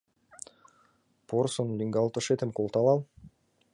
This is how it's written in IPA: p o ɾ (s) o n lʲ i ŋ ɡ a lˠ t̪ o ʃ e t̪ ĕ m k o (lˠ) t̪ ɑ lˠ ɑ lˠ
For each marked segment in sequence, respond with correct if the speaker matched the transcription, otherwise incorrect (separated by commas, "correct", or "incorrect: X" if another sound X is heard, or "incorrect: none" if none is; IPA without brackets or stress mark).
correct, correct